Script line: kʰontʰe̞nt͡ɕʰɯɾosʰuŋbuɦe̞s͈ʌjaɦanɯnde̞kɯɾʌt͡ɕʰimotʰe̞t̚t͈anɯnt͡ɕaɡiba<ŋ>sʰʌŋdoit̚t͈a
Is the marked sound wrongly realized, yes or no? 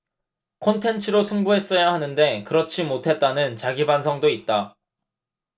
yes